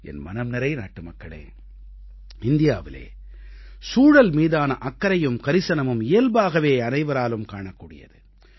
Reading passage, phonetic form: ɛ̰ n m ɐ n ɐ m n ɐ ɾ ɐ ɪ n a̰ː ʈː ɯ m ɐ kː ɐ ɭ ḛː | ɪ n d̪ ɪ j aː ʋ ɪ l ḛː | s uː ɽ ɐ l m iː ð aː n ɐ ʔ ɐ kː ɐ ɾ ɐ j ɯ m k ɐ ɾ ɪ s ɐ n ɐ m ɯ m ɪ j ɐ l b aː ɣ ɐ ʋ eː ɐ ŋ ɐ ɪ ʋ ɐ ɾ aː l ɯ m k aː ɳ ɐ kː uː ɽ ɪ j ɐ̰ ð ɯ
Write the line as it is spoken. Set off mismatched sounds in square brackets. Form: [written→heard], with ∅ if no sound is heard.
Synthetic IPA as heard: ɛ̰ n m ɐ n ɐ m n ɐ ɾ ɐ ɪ n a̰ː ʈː ɯ m ɐ kː ɐ ɭ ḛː | ɪ n d̪ ɪ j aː ʋ ɪ l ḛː | s uː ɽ ɐ l m iː ð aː n ɐ ʔ ɐ kː ɐ ɾ ɐ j ɯ m k ɐ ɾ ɪ s ɐ n ɐ m ɯ m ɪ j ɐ l b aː ɣ ɐ ʋ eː ɐ [ŋ→n] ɐ ɪ ʋ ɐ ɾ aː l ɯ m k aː ɳ ɐ kː uː ɽ ɪ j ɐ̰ ð ɯ